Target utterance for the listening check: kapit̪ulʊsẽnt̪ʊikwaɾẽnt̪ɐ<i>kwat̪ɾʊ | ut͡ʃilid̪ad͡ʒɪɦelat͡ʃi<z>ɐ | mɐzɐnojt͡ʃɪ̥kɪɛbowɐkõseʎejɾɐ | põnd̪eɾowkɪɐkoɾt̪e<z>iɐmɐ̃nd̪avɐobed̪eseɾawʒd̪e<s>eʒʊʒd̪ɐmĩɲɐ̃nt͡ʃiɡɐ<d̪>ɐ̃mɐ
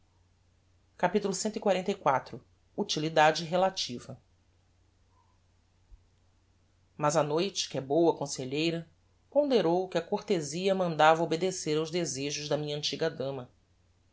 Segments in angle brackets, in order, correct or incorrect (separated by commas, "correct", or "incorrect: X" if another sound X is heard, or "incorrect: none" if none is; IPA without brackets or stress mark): incorrect: j, incorrect: v, correct, incorrect: z, correct